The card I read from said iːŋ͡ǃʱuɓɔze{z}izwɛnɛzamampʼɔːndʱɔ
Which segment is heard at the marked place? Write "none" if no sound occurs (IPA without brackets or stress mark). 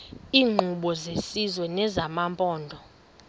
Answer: s